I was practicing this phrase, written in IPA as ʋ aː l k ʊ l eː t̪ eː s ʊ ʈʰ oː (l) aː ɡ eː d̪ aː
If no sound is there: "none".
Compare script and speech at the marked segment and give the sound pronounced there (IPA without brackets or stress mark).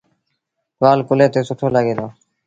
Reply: l